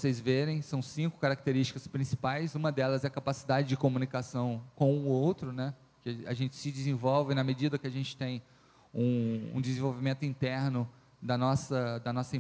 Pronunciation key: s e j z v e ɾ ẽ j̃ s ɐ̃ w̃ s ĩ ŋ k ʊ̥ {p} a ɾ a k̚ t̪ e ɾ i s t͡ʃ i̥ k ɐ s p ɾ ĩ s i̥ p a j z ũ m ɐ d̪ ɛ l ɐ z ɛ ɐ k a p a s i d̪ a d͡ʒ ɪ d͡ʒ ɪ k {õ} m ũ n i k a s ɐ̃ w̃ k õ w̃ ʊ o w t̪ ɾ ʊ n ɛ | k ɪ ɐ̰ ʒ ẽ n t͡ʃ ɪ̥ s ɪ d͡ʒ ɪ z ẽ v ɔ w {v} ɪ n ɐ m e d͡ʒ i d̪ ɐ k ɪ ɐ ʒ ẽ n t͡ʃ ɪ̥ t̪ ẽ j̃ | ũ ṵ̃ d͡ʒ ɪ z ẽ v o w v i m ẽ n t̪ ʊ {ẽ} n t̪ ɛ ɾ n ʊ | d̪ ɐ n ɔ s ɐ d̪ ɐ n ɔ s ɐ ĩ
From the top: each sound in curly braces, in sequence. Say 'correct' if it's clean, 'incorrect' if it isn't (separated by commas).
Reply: incorrect, incorrect, correct, incorrect